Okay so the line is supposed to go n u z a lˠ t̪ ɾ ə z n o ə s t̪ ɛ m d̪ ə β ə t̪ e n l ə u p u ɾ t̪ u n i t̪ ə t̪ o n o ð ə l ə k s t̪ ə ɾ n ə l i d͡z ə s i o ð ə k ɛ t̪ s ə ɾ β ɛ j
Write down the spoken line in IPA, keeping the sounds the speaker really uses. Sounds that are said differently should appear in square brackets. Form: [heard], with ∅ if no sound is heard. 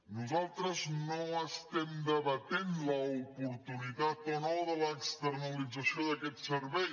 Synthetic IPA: n u z a lˠ t̪ ɾ ə z n o ə s t̪ ɛ m d̪ ə β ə t̪ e n l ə u p u ɾ t̪ u n i t̪ [a] t̪ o n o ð ə l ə k s t̪ ə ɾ n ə l i d͡z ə s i o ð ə k ɛ t̪ s ə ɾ β ɛ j

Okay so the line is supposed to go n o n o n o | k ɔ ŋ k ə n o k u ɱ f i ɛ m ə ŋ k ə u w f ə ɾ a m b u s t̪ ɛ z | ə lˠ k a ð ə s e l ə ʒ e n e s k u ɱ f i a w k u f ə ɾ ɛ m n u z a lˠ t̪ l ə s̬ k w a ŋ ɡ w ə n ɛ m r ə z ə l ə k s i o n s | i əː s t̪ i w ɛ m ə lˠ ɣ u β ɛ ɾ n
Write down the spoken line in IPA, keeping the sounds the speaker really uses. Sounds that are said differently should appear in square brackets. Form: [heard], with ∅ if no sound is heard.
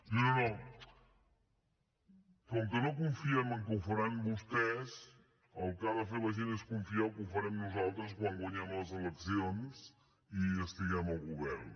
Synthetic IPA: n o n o n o | k ɔ ŋ k ə n o k u ɱ f i ɛ m ə ŋ k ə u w f ə ɾ a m b u s t̪ ɛ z | ə lˠ k a ð ə [f] e l ə ʒ e n e s k u ɱ f i a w k u f ə ɾ ɛ m n u z a lˠ t̪ [ɾ] ə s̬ k w a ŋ ɡ w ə [ɲ] ɛ m [l] ə z ə l ə k s i o n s | i [ə] s t̪ i [ɣ] ɛ m ə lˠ ɣ u β ɛ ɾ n

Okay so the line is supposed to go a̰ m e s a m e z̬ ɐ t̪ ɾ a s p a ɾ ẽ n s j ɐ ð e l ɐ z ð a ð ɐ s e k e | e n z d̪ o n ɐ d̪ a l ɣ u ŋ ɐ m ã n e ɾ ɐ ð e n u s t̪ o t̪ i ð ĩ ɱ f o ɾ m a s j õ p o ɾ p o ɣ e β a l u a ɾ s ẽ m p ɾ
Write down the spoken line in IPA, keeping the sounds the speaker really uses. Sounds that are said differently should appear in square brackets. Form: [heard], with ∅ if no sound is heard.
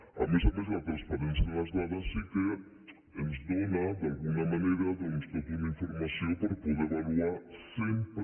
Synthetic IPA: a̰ m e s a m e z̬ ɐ t̪ ɾ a s p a ɾ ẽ n s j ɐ ð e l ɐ z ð a ð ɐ s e k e | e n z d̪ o n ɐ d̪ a l ɣ u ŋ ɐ m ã n e ɾ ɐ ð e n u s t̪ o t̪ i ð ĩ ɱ f o ɾ m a s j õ p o ɾ p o [ð] e β a l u a ɾ s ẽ m p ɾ

